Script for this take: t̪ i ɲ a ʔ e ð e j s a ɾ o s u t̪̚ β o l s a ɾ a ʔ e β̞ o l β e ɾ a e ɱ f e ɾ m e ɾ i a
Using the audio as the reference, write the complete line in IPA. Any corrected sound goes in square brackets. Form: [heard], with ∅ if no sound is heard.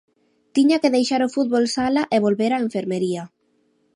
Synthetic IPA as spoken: t̪ i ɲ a [k] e ð e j [ʃ] a ɾ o [f] u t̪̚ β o l s a [l] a ʔ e β̞ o l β e ɾ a e ɱ f e ɾ m e ɾ i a